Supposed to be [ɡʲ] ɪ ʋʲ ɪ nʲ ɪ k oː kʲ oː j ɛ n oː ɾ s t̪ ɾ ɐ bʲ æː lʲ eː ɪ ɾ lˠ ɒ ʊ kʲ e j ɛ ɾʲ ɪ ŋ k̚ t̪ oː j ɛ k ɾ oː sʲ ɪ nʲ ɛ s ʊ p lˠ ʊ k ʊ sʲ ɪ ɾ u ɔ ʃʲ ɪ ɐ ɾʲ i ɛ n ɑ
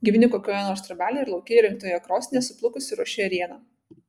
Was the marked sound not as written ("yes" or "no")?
no